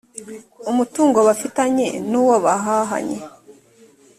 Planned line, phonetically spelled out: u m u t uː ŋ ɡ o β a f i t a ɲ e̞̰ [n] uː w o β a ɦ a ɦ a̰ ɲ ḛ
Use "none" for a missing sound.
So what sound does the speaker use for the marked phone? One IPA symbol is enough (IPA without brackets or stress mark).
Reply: n